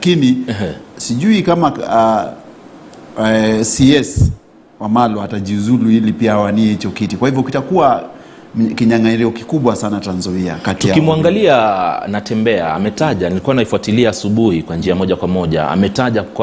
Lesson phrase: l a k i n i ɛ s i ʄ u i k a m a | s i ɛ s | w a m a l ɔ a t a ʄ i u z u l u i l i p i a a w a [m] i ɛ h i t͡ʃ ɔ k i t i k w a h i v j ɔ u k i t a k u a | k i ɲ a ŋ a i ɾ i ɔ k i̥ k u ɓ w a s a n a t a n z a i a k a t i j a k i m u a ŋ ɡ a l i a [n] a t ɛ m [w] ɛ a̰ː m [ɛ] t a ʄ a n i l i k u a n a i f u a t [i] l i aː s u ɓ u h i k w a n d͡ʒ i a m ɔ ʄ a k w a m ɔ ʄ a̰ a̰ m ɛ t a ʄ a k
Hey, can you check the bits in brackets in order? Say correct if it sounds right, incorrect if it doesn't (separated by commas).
incorrect, correct, incorrect, correct, correct